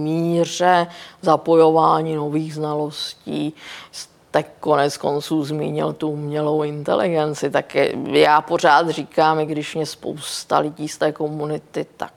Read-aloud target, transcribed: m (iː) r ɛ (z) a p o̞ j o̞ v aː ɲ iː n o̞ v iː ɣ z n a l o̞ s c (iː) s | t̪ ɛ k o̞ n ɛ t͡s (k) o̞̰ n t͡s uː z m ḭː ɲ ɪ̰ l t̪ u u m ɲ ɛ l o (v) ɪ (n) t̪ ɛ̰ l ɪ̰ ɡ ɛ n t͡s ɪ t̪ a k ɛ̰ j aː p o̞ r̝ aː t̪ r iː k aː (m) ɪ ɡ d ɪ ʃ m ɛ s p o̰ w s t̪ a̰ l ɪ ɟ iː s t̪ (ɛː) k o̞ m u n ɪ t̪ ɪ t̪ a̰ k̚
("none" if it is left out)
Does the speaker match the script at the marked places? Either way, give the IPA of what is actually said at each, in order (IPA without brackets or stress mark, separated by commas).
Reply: iː, z, iː, k, w, n, m, ɛː